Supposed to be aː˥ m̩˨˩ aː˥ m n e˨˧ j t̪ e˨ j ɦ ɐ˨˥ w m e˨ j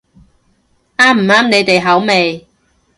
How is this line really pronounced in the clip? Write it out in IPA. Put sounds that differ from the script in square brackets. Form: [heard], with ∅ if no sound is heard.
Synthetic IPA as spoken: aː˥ m̩˨˩ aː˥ m n e˨˧ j t̪ e˨ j ɦ ɐ˨˥ w m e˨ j